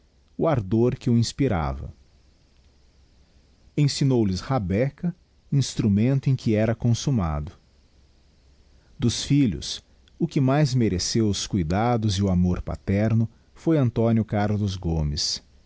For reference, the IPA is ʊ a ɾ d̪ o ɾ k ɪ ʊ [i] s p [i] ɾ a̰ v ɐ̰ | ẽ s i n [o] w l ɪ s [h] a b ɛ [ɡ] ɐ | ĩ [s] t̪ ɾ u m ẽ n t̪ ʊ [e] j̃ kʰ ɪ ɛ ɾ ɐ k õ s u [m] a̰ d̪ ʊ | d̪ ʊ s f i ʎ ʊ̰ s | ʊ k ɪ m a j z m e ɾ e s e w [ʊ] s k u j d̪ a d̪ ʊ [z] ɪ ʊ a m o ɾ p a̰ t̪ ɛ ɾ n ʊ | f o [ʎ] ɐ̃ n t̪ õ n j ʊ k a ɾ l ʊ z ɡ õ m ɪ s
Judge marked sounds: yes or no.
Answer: no, yes, yes, yes, no, yes, no, yes, yes, yes, no

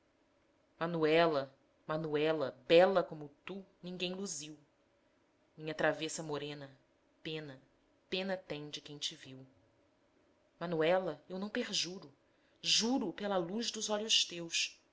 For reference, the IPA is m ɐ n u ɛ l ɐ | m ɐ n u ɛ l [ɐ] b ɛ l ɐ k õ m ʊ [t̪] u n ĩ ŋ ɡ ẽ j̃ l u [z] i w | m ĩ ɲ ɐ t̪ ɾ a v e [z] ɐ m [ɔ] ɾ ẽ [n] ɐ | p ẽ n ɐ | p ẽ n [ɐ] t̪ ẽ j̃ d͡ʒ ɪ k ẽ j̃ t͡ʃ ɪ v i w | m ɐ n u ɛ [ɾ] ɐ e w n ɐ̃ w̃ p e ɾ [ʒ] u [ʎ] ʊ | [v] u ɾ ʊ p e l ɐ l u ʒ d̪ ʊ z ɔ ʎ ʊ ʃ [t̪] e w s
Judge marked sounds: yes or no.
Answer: yes, yes, yes, no, no, yes, yes, no, yes, no, no, yes

